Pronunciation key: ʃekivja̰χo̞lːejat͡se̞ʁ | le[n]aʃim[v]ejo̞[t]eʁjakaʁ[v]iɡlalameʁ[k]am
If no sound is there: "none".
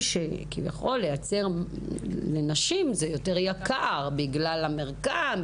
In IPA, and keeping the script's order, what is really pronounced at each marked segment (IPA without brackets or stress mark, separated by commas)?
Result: n, z, t, b, k